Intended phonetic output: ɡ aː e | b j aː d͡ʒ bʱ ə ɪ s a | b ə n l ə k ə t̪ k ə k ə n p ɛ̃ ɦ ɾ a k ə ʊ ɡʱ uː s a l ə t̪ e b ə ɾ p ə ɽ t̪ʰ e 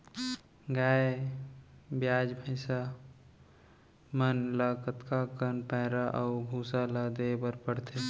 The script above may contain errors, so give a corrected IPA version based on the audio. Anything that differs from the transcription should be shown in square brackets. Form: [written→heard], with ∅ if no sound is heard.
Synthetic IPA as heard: ɡ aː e | b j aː d͡ʒ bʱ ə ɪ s a | [b→m] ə n l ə k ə t̪ k [ə→a] k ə n p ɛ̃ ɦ ɾ a [k→ʔ] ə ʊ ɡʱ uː s a l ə [t̪→d̪] e b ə ɾ p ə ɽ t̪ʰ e